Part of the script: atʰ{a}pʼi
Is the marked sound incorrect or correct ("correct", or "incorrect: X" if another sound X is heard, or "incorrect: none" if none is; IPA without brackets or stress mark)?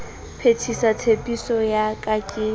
incorrect: e